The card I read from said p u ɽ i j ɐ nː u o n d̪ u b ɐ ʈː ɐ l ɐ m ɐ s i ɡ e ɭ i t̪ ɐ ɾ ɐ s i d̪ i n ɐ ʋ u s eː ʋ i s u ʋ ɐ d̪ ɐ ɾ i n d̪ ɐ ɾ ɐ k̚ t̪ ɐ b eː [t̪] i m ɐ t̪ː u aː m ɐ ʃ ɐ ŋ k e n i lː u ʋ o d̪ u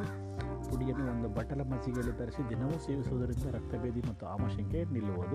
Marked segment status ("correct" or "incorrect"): incorrect